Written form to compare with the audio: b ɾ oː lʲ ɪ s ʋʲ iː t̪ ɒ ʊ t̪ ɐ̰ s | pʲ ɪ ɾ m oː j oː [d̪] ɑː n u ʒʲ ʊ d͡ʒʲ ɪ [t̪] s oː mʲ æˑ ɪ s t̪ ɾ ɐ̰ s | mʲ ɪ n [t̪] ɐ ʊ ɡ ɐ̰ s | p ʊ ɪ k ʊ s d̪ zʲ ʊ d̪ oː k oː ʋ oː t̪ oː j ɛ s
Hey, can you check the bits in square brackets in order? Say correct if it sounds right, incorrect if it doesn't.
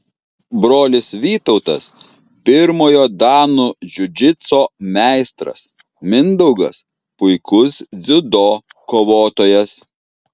correct, correct, incorrect

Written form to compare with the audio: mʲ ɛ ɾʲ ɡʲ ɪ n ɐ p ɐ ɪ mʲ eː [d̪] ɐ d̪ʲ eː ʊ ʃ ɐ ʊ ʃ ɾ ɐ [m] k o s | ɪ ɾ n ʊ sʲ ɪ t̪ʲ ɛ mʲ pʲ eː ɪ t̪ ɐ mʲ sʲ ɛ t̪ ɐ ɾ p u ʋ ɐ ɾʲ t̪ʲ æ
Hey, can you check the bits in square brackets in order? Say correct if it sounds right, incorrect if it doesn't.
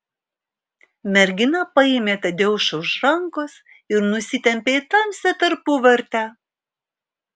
incorrect, incorrect

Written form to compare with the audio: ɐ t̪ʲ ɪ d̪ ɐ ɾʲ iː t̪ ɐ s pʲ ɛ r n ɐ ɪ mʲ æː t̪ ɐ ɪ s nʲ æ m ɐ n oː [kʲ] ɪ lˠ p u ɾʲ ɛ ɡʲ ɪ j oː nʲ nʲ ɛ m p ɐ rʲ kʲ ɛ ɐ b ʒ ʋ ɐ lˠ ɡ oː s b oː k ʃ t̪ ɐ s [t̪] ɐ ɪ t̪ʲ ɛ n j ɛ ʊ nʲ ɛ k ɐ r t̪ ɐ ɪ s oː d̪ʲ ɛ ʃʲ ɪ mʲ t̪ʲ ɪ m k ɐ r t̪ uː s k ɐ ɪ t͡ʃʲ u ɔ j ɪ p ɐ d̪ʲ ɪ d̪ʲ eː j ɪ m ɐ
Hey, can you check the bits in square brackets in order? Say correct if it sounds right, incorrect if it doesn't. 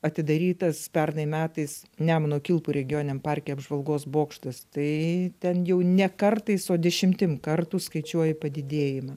correct, correct

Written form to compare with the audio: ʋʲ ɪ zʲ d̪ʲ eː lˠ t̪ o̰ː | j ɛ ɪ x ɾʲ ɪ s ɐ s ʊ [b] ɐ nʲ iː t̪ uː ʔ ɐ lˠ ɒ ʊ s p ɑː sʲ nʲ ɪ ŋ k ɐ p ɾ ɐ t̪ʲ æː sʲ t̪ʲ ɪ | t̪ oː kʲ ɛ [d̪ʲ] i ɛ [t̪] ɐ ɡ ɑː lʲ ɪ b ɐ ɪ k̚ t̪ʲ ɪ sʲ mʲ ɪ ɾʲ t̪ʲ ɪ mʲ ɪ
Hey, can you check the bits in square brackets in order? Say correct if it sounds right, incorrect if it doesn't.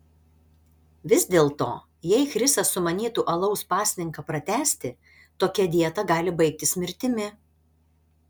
incorrect, correct, correct

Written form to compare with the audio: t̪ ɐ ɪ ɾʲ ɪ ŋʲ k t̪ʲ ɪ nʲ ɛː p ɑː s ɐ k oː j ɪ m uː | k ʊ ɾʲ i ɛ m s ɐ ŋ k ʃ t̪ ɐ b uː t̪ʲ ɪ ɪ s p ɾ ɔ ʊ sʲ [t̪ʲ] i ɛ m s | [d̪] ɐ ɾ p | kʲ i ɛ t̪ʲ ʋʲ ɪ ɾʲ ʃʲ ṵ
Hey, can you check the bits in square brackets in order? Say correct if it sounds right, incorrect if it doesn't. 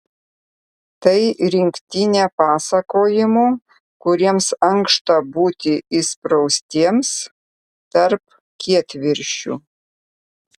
correct, incorrect

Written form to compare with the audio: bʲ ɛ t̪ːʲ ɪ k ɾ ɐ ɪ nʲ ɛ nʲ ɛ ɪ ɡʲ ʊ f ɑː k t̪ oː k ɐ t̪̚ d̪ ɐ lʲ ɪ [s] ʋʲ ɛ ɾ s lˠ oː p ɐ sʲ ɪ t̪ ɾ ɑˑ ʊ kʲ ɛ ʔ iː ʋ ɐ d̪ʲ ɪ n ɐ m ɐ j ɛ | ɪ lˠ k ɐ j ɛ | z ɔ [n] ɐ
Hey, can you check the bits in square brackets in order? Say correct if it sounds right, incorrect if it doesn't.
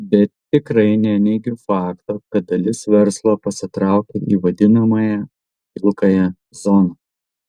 correct, correct

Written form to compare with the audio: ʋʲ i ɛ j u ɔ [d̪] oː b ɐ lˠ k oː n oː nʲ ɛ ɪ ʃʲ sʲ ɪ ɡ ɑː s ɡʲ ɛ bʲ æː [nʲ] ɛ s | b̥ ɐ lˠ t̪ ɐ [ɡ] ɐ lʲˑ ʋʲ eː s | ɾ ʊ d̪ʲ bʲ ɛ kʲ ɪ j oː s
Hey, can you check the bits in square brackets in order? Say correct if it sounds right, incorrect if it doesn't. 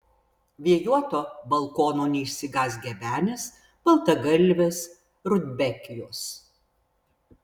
incorrect, correct, correct

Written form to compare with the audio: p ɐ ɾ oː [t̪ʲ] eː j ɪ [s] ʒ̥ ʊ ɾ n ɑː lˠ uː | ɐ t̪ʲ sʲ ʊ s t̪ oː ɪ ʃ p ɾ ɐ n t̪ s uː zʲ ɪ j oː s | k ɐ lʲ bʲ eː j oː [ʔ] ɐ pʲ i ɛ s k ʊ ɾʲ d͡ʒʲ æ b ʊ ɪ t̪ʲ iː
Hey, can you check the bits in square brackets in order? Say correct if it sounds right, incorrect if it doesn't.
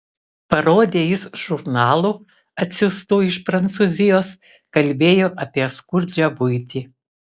incorrect, correct, correct

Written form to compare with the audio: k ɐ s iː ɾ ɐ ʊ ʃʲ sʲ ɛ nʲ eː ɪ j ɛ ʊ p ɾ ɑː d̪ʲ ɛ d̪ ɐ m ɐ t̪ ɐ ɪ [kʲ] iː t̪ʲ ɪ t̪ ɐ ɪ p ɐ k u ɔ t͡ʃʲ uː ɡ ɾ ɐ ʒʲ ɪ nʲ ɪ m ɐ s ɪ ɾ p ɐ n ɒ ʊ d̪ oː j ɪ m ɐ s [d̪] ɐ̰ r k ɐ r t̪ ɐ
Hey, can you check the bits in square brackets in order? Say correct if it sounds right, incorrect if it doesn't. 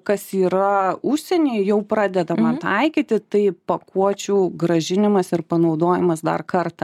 correct, correct

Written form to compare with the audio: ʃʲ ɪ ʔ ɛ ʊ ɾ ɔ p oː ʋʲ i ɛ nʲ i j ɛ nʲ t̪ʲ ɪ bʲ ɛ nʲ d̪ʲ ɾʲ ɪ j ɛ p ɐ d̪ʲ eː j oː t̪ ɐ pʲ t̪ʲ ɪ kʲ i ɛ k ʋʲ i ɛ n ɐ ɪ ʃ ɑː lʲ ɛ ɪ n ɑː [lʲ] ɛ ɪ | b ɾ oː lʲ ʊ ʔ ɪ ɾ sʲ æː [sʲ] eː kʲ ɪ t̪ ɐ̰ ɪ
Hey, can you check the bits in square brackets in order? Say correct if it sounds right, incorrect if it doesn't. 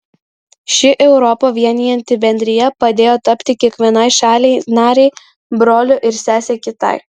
incorrect, correct

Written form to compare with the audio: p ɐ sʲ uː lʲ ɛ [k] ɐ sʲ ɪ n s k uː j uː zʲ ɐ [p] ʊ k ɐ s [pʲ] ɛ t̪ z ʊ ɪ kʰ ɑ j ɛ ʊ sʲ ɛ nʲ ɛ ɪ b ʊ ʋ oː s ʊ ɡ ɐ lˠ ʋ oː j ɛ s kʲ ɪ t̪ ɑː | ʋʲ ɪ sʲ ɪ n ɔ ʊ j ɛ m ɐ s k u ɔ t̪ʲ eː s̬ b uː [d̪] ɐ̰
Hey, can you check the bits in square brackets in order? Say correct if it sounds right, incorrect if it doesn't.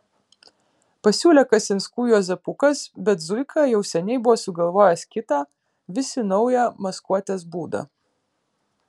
correct, correct, incorrect, correct

